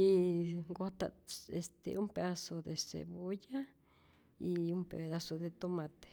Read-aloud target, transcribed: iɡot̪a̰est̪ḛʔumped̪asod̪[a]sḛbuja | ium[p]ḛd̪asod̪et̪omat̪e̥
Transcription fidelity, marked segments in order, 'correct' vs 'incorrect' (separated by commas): incorrect, correct